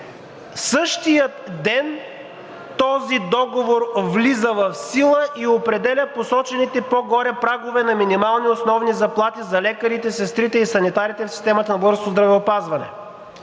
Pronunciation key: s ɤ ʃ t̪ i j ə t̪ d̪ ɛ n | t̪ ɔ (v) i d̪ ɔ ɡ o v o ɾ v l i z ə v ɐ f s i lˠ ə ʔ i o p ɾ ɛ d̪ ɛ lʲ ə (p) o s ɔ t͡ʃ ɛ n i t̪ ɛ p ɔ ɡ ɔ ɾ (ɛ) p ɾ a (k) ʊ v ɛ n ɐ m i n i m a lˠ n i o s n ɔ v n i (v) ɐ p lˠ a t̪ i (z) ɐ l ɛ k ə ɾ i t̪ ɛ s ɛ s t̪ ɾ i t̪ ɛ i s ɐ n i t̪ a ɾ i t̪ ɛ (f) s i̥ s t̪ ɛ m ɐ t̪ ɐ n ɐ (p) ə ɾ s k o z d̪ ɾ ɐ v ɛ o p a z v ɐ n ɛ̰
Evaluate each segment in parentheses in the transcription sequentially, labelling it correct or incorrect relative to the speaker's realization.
incorrect: z, correct, correct, incorrect: ɡ, incorrect: z, correct, correct, incorrect: b

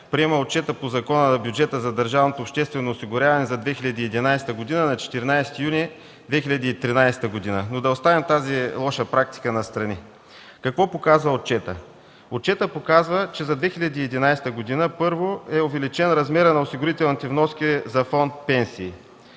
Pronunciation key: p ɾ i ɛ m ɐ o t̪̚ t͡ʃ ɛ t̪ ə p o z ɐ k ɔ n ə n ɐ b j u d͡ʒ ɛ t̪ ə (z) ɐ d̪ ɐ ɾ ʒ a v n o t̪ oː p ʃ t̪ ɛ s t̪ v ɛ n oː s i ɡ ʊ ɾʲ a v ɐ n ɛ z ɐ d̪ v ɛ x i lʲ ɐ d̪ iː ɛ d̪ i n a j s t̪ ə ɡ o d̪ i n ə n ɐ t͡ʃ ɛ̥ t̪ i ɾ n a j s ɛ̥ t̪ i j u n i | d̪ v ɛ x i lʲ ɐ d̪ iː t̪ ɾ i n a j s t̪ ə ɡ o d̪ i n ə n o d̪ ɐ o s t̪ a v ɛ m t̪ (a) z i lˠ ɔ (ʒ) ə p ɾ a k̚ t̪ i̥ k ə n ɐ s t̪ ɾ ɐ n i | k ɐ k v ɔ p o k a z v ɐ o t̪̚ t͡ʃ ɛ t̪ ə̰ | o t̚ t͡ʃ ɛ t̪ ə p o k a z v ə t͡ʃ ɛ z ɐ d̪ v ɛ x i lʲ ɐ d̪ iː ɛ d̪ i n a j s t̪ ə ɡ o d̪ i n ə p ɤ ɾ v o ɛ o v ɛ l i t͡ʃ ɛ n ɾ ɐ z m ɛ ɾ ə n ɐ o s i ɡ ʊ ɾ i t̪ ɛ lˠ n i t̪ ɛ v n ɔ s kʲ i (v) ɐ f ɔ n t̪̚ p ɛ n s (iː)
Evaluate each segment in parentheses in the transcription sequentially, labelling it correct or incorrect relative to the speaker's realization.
correct, correct, incorrect: ʃ, incorrect: z, correct

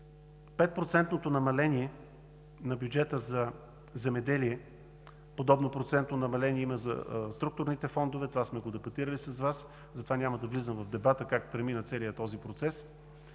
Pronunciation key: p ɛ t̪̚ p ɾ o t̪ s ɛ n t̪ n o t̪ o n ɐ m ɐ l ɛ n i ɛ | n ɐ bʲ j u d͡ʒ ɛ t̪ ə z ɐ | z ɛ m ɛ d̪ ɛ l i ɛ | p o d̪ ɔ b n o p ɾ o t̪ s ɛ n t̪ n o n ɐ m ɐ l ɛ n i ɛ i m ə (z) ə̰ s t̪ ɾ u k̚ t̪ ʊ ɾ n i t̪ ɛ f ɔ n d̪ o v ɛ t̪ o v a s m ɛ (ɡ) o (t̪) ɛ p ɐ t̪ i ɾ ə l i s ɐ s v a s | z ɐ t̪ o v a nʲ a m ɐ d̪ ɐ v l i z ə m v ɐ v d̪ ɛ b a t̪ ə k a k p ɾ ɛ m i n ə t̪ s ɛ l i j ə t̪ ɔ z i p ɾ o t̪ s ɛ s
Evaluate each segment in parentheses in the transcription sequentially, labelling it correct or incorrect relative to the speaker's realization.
correct, correct, incorrect: d̪

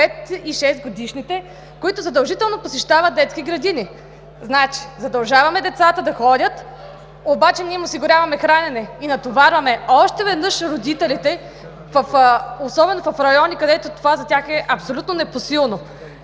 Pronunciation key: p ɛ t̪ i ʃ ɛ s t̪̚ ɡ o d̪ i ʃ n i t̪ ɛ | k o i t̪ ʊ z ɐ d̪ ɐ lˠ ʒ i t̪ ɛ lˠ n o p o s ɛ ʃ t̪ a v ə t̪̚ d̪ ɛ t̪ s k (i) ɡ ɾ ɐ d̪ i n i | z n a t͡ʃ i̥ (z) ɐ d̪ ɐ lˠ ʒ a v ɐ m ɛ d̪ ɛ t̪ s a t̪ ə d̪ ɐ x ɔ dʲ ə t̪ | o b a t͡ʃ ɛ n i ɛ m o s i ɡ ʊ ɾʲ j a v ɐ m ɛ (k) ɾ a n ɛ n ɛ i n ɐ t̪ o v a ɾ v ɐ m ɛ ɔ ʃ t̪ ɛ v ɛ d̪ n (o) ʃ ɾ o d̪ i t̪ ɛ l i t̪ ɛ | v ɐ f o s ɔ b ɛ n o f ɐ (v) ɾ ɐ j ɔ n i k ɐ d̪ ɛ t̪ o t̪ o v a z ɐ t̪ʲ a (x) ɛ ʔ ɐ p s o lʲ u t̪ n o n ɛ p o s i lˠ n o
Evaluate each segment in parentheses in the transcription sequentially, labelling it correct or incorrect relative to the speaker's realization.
correct, correct, incorrect: x, incorrect: ɤ, incorrect: f, correct

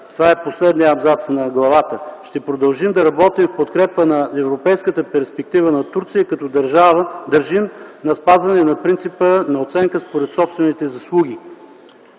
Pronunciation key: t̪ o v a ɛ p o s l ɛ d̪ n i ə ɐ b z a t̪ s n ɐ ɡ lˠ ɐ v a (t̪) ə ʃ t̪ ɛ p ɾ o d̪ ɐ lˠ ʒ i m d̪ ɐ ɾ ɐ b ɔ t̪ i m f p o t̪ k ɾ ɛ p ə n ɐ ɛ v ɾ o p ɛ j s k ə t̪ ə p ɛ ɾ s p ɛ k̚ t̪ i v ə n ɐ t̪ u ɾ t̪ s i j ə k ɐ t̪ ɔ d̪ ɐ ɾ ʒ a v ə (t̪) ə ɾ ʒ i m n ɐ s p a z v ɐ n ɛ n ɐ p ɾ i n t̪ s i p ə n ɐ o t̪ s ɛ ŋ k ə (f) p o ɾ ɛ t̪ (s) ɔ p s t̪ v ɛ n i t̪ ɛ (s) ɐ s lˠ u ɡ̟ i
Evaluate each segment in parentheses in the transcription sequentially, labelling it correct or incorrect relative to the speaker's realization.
correct, incorrect: d̪, incorrect: s, correct, incorrect: z

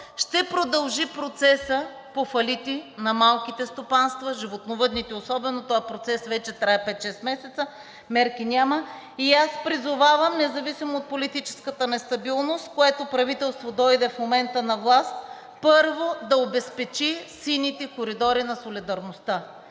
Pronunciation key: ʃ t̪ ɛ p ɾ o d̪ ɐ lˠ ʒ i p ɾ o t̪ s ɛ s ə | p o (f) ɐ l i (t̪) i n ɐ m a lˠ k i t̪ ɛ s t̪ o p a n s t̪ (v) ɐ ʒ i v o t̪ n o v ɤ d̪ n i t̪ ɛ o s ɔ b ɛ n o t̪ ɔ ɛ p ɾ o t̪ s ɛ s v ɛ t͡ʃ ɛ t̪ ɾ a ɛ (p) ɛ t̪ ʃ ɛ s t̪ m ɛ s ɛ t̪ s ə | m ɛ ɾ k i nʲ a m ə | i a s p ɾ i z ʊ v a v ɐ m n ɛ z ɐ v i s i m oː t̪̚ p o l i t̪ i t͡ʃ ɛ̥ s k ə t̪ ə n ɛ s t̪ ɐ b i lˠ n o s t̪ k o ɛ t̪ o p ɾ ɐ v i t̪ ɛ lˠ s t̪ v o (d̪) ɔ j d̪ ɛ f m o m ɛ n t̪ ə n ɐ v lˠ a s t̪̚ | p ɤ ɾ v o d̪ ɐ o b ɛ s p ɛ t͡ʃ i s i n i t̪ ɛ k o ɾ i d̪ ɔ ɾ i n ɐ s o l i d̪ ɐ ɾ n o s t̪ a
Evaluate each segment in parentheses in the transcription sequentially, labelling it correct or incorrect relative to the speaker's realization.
correct, correct, correct, correct, correct

